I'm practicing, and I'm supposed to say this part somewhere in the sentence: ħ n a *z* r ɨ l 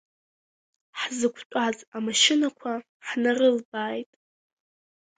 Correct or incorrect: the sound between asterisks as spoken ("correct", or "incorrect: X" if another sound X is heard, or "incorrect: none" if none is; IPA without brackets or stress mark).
incorrect: none